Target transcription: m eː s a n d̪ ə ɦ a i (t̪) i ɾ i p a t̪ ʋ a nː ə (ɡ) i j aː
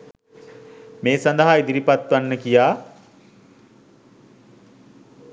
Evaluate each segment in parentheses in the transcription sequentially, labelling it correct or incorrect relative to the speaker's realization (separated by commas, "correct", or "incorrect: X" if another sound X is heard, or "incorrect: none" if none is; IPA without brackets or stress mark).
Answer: incorrect: d̪, incorrect: k